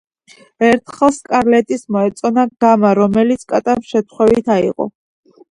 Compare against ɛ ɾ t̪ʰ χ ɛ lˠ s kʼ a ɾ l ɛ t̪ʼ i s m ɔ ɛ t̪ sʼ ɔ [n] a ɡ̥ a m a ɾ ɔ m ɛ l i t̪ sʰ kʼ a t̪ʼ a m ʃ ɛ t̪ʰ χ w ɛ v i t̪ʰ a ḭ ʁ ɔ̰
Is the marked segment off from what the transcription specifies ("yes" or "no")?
no